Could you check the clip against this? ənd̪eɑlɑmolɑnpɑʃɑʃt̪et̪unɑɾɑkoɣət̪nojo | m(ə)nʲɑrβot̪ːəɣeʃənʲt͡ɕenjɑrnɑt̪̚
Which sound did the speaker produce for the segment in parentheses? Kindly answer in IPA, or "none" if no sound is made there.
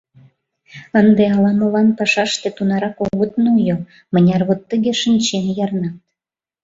ə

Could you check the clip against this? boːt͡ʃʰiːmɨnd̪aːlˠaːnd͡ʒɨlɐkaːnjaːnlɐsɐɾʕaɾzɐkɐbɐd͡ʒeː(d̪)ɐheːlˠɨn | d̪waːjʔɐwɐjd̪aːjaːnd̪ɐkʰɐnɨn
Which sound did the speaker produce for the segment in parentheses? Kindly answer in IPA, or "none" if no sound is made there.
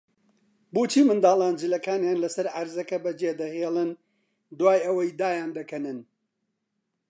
d̪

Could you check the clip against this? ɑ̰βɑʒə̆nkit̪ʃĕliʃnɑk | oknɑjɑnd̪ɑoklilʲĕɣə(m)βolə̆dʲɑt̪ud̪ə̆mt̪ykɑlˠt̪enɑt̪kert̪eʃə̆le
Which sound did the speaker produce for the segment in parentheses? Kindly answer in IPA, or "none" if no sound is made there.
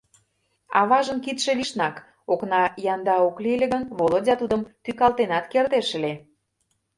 n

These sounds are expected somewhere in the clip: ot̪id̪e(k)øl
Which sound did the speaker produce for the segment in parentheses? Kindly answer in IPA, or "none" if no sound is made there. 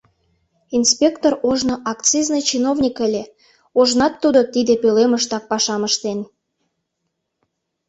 p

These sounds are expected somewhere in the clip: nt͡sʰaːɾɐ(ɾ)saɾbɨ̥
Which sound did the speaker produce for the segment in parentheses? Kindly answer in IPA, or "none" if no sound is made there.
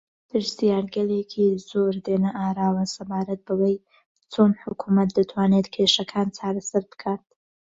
none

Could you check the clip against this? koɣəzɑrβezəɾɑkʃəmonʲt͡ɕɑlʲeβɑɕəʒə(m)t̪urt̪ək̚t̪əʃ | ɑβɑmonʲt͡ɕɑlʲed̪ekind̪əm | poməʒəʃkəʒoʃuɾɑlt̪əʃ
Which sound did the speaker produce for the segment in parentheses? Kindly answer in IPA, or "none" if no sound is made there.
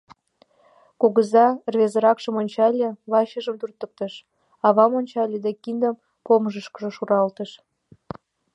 m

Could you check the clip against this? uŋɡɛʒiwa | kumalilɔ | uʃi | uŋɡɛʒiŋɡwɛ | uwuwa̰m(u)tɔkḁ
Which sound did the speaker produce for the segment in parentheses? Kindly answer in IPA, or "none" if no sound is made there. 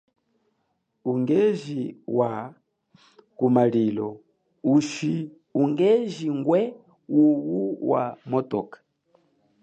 ɔ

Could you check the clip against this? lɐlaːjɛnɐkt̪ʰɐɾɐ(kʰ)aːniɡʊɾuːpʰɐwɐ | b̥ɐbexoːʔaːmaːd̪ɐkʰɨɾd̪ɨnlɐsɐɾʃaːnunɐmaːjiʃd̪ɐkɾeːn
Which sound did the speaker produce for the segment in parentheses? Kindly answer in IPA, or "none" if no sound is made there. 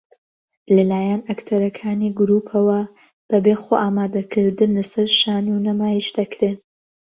kʰ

